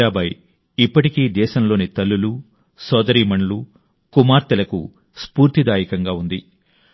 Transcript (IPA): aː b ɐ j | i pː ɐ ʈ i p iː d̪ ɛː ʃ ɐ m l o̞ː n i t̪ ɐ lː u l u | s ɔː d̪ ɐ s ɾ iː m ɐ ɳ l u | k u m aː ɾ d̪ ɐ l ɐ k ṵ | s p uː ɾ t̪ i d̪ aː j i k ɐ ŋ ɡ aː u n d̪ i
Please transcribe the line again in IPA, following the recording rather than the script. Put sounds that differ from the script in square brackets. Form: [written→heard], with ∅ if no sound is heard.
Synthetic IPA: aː b ɐ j | i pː ɐ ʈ i [p→k] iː d̪ ɛː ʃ ɐ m l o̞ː n i t̪ ɐ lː u l u | s ɔː d̪ ɐ [s→∅] ɾ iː m ɐ ɳ l u | k u m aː ɾ [d̪→t̪] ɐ l ɐ k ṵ | s p uː ɾ t̪ i d̪ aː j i k ɐ ŋ ɡ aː u n d̪ i

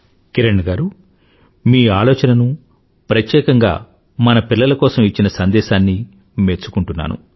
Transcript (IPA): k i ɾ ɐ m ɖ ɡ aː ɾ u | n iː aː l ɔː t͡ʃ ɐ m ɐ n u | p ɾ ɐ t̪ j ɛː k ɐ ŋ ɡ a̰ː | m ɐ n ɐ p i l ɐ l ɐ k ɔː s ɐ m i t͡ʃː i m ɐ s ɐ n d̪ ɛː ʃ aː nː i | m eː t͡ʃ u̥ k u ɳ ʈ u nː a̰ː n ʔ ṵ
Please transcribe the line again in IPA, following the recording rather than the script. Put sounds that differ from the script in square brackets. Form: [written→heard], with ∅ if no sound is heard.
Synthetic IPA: k i ɾ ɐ [m→ɳ] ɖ ɡ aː ɾ u | [n→m] iː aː l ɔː t͡ʃ ɐ [m→n] ɐ n u | p ɾ ɐ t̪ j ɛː k ɐ ŋ ɡ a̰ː | m ɐ n ɐ p i [l→lː] ɐ l ɐ k ɔː s ɐ m i t͡ʃː i [m→n] ɐ s ɐ n d̪ ɛː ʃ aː nː i | m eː t͡ʃ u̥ k u ɳ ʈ u nː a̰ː n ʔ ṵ

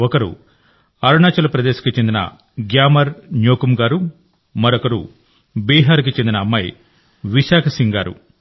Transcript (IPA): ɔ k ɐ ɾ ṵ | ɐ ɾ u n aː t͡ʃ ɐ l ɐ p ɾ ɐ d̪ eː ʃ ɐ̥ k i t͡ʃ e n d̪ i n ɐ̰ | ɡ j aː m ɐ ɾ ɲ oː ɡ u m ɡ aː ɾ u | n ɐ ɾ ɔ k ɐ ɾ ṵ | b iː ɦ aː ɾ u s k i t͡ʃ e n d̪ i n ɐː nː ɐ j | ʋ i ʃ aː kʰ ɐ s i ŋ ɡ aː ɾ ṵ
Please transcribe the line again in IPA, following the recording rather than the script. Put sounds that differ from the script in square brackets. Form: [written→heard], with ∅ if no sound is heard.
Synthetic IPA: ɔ k ɐ ɾ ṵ | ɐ ɾ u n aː t͡ʃ ɐ l ɐ p ɾ ɐ d̪ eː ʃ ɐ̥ k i t͡ʃ e n d̪ i n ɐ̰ | ɡ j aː m ɐ ɾ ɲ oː [ɡ→k] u m ɡ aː ɾ u | [n→m] ɐ ɾ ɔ k ɐ ɾ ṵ | b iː ɦ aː ɾ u [s→∅] k i t͡ʃ e n d̪ i n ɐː [nː→mː] ɐ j | ʋ i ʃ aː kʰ ɐ s i ŋ ɡ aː ɾ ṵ

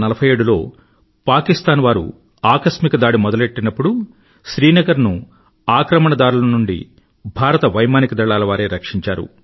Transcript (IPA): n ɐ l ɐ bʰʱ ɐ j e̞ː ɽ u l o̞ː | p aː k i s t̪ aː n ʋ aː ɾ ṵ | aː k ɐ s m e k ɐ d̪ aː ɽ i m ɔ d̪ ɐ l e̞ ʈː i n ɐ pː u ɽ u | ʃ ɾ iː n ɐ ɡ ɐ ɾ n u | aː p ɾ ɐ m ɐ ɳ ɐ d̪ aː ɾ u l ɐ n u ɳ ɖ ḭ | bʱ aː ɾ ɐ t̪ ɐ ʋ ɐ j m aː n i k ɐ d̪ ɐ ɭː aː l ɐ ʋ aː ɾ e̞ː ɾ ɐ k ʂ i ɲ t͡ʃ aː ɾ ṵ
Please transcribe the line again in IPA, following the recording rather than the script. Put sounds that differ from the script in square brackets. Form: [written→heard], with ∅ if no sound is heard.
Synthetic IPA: n ɐ l ɐ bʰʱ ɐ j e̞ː ɽ u l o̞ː | p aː k i s t̪ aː n ʋ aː ɾ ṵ | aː k ɐ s m [e→i] k ɐ d̪ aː ɽ i m ɔ d̪ ɐ l e̞ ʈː i n ɐ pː u ɽ u | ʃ ɾ iː n ɐ ɡ ɐ ɾ n u | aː [p→k] ɾ ɐ m ɐ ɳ ɐ d̪ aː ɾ u l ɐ n u ɳ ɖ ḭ | bʱ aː ɾ ɐ t̪ ɐ ʋ ɐ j m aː n i k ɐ d̪ ɐ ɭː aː l ɐ ʋ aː ɾ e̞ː ɾ ɐ k ʂ i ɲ t͡ʃ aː ɾ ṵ

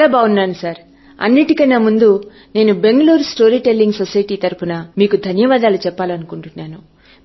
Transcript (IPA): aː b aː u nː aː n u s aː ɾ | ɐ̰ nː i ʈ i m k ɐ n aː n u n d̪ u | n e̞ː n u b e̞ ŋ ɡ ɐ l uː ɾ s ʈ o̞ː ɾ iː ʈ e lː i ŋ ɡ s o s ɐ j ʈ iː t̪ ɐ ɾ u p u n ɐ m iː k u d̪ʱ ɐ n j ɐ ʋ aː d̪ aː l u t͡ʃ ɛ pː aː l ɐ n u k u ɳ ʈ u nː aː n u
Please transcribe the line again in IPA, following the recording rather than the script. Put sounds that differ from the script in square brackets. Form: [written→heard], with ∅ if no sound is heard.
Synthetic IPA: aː b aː u nː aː n u s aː ɾ | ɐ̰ nː i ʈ i [m→∅] k ɐ n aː [n→m] u n d̪ u | n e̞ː n u b e̞ ŋ ɡ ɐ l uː ɾ s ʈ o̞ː ɾ iː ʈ e lː i ŋ ɡ s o s ɐ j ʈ iː t̪ ɐ ɾ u p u n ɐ m iː k u d̪ʱ ɐ n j ɐ ʋ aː d̪ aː l u t͡ʃ ɛ pː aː l ɐ n u k u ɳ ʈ u nː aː n u

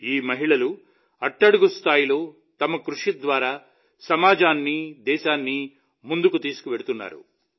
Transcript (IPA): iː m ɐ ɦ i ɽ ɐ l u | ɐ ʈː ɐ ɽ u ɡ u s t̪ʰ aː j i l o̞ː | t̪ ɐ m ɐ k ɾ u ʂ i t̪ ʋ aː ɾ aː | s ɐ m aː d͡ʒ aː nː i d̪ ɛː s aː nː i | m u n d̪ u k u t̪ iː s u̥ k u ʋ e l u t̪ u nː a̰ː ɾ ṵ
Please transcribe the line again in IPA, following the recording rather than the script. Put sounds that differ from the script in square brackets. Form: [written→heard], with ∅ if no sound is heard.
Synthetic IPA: iː m ɐ ɦ i [ɽ→ɭ] ɐ l u | ɐ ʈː ɐ ɽ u ɡ u s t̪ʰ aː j i l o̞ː | t̪ ɐ m ɐ k ɾ u ʂ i [t̪→d̪] ʋ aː ɾ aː | s ɐ m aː d͡ʒ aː nː i d̪ ɛː [s→ʃ] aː nː i | m u n d̪ u k u t̪ iː s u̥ k u ʋ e [l→ɽ] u t̪ u nː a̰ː ɾ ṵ

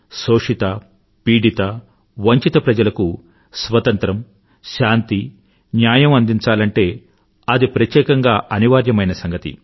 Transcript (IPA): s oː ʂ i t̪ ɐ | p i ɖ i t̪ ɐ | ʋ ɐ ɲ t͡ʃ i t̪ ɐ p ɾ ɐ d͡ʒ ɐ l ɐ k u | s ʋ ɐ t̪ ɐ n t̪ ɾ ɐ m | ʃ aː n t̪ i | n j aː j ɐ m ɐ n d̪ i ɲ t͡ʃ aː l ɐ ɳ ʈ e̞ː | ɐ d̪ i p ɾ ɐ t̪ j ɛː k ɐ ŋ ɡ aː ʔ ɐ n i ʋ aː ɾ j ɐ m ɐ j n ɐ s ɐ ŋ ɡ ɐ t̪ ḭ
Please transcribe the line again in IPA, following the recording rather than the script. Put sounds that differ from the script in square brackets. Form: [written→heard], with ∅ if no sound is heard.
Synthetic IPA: s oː ʂ i t̪ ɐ | p [i→iː] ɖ i t̪ ɐ | ʋ ɐ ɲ t͡ʃ i t̪ ɐ p ɾ ɐ d͡ʒ ɐ l ɐ k u | s ʋ ɐ t̪ ɐ n t̪ ɾ ɐ m | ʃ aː n t̪ i | n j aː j ɐ m ɐ n d̪ i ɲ t͡ʃ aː l ɐ ɳ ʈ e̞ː | ɐ d̪ i p ɾ ɐ t̪ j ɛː k ɐ ŋ ɡ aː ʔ ɐ n i ʋ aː ɾ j ɐ m ɐ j n ɐ s ɐ ŋ ɡ ɐ t̪ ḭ

